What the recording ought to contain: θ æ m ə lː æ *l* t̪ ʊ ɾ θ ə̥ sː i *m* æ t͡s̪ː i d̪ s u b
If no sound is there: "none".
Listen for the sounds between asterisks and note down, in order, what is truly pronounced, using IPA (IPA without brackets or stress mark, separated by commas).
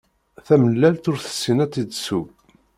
l, n